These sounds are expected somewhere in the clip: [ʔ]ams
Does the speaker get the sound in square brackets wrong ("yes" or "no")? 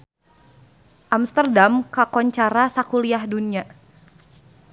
no